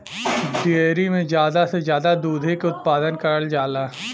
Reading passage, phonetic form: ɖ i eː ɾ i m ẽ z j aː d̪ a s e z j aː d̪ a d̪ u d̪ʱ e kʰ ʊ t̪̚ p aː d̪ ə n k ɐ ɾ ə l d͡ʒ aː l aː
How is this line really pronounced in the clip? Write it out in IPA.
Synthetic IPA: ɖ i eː ɾ i m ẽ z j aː d̪ a s e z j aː d̪ a d̪ uː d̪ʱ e k ʊ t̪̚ p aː d̪ ə n k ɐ ɾ ə l d͡ʒ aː l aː